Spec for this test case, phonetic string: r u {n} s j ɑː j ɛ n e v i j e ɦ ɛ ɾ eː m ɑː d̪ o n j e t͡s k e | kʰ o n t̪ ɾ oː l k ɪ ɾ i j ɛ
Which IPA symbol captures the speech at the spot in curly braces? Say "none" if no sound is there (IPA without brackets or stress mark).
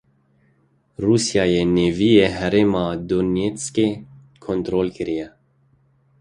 none